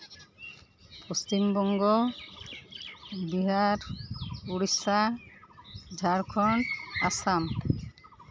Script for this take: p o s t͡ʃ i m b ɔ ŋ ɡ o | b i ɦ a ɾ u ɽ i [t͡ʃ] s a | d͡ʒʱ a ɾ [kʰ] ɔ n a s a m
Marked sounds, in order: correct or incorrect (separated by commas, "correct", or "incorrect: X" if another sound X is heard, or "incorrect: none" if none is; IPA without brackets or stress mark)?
incorrect: none, correct